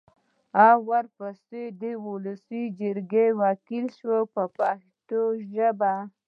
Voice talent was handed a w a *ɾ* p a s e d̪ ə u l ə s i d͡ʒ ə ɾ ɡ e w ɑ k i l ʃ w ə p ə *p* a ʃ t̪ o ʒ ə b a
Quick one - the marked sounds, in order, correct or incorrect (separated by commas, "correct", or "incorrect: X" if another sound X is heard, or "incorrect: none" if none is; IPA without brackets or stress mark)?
correct, correct